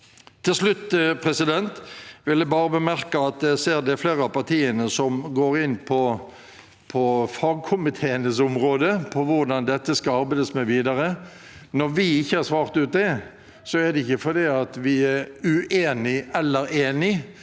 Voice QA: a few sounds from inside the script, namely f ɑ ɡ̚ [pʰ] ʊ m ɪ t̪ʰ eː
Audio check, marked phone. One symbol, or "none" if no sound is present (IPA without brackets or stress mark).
kʰ